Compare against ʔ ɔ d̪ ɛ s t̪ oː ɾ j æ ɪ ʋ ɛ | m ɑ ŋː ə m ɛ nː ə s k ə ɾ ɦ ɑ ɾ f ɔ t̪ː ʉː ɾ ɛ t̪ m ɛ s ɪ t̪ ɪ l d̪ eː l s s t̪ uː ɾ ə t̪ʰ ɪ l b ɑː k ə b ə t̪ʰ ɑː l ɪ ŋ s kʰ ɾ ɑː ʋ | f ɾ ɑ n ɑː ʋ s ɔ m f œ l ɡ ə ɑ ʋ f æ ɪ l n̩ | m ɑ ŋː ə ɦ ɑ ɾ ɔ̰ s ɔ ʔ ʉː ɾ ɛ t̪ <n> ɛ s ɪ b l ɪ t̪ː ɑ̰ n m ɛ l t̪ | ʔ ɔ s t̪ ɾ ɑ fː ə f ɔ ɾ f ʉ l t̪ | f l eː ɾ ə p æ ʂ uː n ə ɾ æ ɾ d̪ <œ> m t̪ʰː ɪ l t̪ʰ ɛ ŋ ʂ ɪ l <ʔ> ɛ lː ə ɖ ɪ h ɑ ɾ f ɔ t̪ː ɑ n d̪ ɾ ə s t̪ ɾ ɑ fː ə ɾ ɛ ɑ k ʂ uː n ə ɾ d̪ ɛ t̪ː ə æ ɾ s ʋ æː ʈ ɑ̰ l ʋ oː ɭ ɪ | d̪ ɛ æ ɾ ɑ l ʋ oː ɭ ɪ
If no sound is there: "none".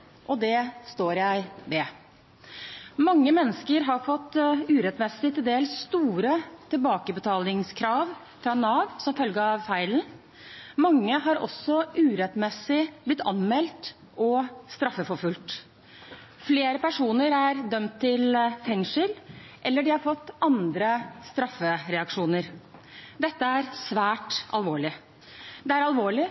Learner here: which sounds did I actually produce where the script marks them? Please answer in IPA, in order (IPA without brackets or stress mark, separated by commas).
m, œ, ʔ